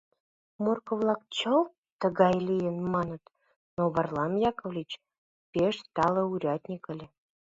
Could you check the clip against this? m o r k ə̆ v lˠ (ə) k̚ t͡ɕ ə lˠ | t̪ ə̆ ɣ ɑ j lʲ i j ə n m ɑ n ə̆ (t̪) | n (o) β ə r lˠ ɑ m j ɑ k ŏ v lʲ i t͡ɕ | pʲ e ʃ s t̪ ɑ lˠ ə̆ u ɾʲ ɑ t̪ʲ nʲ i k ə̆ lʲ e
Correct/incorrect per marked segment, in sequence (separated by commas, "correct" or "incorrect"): incorrect, correct, correct